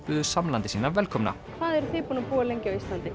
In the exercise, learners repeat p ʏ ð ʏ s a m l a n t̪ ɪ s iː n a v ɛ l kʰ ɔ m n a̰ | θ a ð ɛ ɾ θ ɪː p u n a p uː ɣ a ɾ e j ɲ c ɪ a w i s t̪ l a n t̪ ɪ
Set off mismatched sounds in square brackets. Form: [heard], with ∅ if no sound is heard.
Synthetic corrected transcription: p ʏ ð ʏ s a m l a n t̪ ɪ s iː n a v ɛ l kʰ ɔ m n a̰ | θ a ð ɛ ɾ θ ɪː p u n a p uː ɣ a [l] e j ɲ c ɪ a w i s t̪ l a n t̪ ɪ